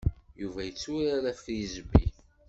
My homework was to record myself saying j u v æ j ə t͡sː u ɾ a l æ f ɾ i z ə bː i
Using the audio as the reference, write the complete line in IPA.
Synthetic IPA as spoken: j u v æ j ə t͡sː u ɾ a ɾ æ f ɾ i z ə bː i